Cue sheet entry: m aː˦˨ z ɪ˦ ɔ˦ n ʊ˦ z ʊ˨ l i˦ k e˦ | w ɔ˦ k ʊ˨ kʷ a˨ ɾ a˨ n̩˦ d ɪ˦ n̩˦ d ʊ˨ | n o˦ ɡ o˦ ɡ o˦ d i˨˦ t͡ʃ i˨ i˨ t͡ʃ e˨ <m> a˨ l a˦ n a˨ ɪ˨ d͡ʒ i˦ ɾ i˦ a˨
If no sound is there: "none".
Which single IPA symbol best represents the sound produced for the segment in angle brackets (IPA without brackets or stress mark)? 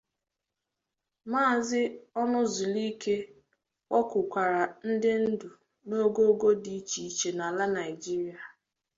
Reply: n